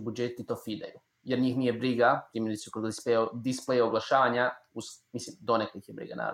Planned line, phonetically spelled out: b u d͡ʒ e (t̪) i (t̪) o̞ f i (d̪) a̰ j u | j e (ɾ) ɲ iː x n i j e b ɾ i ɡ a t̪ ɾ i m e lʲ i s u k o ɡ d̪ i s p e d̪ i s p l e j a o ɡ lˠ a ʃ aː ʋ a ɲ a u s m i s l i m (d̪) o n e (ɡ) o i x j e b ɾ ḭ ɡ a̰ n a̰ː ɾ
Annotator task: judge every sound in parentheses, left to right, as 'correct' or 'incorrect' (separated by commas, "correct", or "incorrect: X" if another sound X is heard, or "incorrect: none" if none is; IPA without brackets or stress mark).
correct, correct, correct, correct, correct, incorrect: k